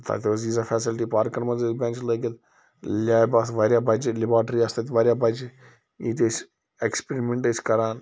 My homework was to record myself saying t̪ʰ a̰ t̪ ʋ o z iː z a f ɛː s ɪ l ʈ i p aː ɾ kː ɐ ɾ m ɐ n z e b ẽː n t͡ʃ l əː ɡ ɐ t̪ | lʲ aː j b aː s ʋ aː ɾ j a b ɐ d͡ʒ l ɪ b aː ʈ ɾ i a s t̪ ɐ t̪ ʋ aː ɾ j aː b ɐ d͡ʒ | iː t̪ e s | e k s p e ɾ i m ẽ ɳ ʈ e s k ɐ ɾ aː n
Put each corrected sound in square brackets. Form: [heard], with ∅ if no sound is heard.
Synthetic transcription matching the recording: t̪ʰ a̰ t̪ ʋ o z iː z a f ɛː s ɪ l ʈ i p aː ɾ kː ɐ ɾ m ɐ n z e b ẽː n t͡ʃ l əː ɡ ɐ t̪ | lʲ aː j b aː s ʋ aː ɾ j a b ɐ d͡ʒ l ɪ b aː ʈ ɾ i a s t̪ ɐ t̪ ʋ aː ɾ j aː b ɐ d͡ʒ | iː t̪ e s | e k s p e ɾ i m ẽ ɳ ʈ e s k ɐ ɾ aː n

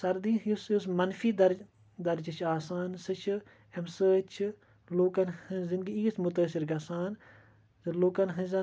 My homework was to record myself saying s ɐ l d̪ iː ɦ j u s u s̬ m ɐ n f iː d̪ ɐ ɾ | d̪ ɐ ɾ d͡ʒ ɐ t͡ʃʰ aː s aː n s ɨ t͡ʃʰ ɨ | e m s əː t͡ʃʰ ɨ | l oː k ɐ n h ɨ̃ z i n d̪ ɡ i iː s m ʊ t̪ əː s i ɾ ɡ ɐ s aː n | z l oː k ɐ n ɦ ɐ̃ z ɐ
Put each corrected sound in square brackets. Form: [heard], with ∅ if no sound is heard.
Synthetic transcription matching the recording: s ɐ [ɾ] d̪ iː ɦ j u s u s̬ m ɐ n f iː d̪ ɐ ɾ | d̪ ɐ ɾ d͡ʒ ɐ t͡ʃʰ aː s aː n s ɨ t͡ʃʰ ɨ | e m s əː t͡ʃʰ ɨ | l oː k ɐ n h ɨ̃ z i n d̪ ɡ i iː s m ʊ t̪ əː s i ɾ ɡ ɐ s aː n | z l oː k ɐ n ɦ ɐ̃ z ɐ

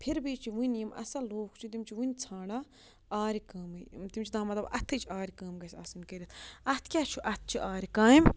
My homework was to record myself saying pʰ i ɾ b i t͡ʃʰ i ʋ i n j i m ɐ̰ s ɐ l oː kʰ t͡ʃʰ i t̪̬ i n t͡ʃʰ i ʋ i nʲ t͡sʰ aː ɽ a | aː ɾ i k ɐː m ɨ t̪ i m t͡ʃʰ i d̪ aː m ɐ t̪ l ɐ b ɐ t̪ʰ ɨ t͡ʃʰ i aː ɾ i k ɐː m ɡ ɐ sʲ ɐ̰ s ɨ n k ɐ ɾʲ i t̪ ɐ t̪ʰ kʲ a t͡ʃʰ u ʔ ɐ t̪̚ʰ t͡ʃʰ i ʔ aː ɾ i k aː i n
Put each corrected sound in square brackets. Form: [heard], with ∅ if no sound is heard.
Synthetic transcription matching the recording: pʰ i ɾ b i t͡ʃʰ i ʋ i n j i m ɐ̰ s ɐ l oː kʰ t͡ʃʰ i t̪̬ i [m] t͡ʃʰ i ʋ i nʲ t͡sʰ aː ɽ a | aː ɾ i k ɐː m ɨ t̪ i m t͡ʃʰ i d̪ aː m ɐ t̪ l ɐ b ɐ t̪ʰ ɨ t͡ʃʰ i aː ɾ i k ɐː m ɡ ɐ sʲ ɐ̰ s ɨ n k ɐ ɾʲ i t̪ ɐ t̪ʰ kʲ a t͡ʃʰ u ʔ ɐ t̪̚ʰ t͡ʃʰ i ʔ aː ɾ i k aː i [m]

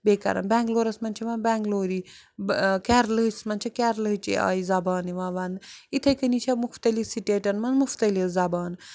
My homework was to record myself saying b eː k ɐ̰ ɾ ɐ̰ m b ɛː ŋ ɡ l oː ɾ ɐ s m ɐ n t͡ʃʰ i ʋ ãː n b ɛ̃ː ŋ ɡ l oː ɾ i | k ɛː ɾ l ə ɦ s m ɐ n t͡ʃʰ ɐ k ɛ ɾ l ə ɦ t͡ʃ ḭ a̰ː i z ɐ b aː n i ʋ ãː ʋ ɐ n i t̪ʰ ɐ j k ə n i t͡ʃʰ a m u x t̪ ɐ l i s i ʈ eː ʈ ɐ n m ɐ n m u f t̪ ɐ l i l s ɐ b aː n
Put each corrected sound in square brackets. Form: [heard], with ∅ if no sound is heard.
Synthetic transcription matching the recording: b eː k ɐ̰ ɾ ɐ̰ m b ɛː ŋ ɡ l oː ɾ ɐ s m ɐ n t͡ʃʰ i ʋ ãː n b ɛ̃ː ŋ ɡ l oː ɾ i | k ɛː ɾ l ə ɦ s m ɐ n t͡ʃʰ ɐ k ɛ ɾ l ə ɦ t͡ʃ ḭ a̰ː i z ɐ b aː n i ʋ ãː ʋ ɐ n i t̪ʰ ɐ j k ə n i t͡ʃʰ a m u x t̪ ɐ l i s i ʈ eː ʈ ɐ n m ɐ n m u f t̪ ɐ l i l [z] ɐ b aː n

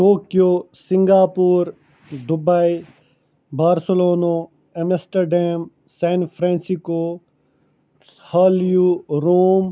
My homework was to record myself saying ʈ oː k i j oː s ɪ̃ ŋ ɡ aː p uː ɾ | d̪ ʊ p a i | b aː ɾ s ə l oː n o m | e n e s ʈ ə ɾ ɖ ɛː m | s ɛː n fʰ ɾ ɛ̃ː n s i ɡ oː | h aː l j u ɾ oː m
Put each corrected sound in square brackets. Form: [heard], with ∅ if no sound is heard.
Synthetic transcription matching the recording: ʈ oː k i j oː s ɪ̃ ŋ ɡ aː p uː ɾ | d̪ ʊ [b] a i | b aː ɾ s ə l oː n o [∅] | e [m] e s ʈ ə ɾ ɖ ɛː m | s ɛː n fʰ ɾ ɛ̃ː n s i [k] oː | h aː l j u ɾ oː m

